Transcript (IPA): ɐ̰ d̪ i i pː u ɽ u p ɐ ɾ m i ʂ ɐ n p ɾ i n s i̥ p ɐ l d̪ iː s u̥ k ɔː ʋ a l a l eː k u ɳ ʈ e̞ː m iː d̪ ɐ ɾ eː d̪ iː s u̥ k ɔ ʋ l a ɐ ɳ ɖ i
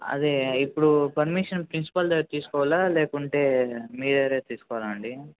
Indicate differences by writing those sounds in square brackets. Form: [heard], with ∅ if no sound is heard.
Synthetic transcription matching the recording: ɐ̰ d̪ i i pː u ɽ u p ɐ ɾ m i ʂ ɐ n p ɾ i n s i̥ p ɐ l [t̪] iː s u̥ k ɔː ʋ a l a l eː k u ɳ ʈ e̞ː m iː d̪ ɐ ɾ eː [t̪] iː s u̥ k ɔ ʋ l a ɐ ɳ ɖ i